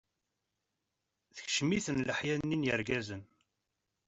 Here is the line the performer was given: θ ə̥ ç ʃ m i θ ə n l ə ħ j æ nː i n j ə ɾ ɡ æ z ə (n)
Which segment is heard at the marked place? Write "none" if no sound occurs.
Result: n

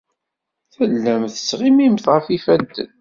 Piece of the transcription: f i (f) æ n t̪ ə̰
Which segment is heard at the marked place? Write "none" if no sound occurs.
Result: f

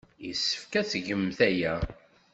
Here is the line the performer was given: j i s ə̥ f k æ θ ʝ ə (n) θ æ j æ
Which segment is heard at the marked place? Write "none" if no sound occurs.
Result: m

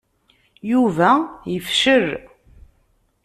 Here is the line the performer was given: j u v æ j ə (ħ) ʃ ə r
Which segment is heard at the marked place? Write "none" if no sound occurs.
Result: f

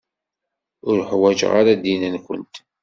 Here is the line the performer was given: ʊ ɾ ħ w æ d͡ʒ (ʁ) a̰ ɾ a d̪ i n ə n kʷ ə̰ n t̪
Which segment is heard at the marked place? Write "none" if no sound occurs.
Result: ʁ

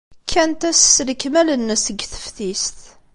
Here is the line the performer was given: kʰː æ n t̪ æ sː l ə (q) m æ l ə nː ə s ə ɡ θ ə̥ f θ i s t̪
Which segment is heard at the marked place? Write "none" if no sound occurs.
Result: k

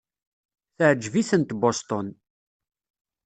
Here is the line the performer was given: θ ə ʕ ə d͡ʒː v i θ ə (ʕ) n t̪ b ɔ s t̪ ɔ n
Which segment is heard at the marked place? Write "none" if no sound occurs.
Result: none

